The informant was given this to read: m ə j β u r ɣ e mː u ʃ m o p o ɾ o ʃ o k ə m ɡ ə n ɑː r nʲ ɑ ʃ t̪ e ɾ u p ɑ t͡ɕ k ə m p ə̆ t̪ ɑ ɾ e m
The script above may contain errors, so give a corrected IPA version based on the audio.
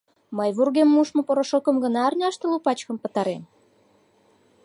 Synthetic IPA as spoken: m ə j β u r ɣ e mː u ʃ m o p o ɾ o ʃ o k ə m ɡ ə n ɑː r nʲ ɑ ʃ t̪ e l u p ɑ t͡ɕ k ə m p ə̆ t̪ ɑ ɾ e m